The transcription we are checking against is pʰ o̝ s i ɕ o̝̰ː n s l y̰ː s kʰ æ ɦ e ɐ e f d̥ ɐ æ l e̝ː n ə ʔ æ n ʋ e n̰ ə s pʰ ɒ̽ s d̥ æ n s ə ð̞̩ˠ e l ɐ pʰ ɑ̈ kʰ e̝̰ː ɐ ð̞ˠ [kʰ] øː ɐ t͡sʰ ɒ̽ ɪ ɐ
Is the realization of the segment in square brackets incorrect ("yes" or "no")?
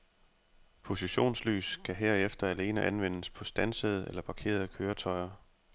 no